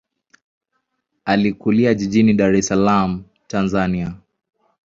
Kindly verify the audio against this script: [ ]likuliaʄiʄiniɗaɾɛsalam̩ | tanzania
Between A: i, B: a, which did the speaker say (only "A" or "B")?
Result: B